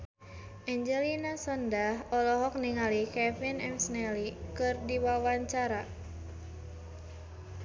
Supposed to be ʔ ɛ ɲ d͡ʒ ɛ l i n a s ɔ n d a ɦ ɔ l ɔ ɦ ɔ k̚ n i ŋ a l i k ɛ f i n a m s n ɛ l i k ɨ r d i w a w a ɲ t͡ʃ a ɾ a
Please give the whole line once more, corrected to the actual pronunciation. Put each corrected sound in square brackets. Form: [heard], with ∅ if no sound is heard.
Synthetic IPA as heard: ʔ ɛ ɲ d͡ʒ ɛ l i n a s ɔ n d a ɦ ɔ l ɔ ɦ ɔ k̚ n i ŋ a l i k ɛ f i n [ɛ] m s n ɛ l i k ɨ r d i w a w a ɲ t͡ʃ a ɾ a